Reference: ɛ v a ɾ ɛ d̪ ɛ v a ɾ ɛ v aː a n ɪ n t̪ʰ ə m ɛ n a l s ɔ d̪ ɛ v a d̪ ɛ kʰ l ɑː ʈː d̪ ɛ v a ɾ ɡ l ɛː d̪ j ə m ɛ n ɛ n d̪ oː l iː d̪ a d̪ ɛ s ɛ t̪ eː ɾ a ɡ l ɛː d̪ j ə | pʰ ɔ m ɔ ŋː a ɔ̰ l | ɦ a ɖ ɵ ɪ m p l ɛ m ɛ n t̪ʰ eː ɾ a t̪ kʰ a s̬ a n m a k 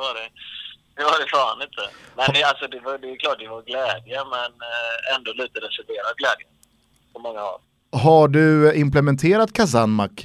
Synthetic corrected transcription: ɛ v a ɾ ɛ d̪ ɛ v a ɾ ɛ f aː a n ɪ n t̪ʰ ə m ɛ n a l s ɔ d̪ ɛ v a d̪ ɛ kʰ l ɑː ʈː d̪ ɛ v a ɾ ɡ l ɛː d̪ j ə m ɛ n ɛ n d̪ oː l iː t̪ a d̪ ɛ s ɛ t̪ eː ɾ a ɡ l ɛː d̪ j ə | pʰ ɔ m ɔ ŋː a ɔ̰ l | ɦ a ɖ ɵ ɪ m p l ɛ m ɛ n t̪ʰ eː ɾ a t̪ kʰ a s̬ a n m a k